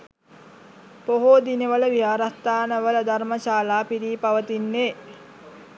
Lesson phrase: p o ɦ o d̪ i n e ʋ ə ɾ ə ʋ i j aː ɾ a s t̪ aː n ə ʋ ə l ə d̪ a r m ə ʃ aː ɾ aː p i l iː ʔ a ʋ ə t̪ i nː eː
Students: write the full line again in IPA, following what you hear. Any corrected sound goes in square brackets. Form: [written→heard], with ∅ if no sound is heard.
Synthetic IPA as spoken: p o ɦ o d̪ i n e ʋ ə [ɾ→l] ə ʋ i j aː ɾ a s t̪ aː n ə ʋ ə l ə d̪ a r m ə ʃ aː [ɾ→l] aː p i [l→ɾ] iː [ʔ→p] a ʋ ə t̪ i nː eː